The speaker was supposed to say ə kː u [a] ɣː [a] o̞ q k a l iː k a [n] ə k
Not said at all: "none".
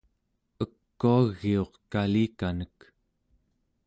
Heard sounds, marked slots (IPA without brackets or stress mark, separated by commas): a, i, n